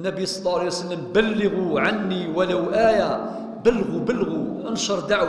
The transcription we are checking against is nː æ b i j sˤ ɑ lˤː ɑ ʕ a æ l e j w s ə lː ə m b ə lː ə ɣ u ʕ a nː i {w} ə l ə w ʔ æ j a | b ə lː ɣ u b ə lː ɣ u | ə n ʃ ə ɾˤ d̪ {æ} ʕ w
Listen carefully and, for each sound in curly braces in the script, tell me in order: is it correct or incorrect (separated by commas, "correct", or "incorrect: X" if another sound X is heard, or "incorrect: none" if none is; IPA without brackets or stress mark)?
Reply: correct, incorrect: a